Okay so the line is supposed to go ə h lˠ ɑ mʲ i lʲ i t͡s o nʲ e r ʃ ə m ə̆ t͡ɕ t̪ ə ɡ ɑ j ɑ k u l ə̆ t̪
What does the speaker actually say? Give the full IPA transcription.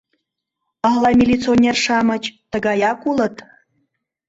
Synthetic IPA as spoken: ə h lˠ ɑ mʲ i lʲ i t͡s o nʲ e r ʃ ɑ m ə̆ t͡ɕ t̪ ə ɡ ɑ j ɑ k u l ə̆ t̪